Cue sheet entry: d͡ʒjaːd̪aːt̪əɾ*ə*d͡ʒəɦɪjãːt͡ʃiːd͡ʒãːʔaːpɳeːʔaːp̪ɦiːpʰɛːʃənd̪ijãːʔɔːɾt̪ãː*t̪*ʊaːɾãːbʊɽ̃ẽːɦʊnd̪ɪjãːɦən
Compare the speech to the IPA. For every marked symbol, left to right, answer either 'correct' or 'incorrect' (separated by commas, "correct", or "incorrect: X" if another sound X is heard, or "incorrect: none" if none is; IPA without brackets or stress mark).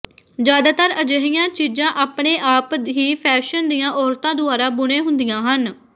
correct, incorrect: d̪